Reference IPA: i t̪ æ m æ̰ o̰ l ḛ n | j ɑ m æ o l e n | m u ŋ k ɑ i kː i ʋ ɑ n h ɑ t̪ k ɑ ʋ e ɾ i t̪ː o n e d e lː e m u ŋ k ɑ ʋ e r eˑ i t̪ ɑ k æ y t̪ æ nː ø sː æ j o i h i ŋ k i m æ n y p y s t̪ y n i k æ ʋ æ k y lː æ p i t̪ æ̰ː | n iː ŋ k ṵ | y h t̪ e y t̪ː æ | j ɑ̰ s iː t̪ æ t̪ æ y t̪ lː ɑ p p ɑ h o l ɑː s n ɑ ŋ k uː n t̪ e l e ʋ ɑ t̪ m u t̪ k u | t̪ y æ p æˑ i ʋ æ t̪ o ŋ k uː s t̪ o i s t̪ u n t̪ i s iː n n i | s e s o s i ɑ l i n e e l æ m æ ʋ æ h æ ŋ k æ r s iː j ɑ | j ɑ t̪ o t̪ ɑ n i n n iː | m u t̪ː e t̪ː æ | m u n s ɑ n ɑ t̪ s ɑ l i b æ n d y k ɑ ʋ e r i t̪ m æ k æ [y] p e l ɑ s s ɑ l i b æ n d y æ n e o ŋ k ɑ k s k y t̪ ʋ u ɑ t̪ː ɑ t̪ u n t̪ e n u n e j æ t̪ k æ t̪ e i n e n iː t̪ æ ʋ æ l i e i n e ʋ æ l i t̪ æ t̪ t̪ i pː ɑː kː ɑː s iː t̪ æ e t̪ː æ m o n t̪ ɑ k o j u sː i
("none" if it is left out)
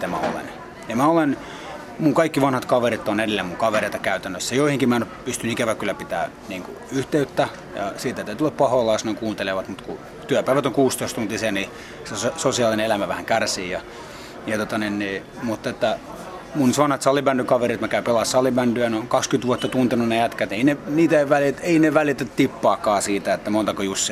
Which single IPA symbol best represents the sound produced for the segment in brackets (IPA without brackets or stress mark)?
y